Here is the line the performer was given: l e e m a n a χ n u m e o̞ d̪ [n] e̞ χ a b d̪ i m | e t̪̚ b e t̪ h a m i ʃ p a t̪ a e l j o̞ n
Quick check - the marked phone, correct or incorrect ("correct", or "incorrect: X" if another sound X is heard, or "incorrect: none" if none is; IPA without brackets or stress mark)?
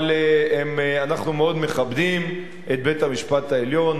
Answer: incorrect: m